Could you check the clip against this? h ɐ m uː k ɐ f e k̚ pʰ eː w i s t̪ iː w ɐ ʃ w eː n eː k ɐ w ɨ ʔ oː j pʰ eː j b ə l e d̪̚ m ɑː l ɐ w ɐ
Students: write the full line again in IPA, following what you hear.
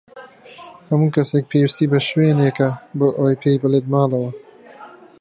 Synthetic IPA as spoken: h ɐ m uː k ɐ s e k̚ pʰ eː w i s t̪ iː b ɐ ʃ w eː n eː k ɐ b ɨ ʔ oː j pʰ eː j b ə l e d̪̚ m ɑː l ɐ w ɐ